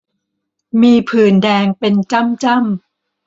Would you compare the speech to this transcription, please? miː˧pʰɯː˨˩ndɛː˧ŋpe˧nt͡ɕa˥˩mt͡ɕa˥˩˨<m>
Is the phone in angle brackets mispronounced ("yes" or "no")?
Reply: no